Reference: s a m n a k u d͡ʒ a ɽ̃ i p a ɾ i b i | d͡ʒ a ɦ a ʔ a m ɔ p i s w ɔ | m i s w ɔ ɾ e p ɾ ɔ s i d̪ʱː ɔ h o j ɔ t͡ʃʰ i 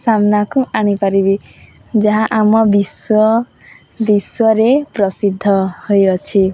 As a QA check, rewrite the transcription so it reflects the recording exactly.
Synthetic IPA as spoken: s a m n a k u a ɽ̃ i p a ɾ i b i | d͡ʒ a ɦ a ʔ a m ɔ b i s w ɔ | b i s w ɔ ɾ e p ɾ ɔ s i d̪ʱː ɔ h o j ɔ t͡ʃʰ i